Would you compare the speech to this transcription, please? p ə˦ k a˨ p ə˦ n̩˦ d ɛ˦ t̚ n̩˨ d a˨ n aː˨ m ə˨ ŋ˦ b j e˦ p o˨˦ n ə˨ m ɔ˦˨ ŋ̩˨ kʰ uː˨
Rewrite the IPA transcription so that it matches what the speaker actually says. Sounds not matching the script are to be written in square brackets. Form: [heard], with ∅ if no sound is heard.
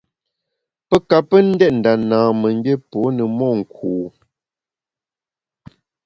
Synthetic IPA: p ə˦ k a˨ p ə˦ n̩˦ d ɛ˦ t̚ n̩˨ d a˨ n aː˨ m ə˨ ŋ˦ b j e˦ p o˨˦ n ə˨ m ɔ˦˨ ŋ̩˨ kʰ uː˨